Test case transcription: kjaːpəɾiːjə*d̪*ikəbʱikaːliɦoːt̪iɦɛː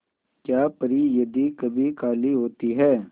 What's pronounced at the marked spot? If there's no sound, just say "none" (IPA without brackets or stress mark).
d̪